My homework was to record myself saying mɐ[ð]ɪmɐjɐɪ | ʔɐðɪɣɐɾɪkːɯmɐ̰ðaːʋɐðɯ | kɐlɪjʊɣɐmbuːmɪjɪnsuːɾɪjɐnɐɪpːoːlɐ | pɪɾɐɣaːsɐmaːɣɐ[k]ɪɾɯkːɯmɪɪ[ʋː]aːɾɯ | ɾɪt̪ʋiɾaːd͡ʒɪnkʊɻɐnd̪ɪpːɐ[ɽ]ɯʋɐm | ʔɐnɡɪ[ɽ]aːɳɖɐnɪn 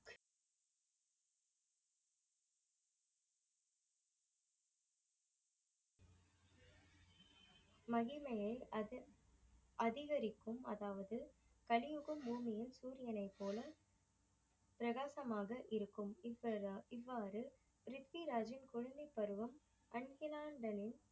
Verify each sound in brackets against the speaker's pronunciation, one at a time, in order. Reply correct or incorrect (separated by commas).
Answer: incorrect, incorrect, correct, incorrect, incorrect